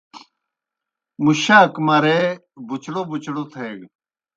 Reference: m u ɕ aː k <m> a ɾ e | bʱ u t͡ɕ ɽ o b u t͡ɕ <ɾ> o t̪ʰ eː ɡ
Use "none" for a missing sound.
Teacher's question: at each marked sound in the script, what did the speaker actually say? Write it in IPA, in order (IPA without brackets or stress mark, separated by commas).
m, ɽ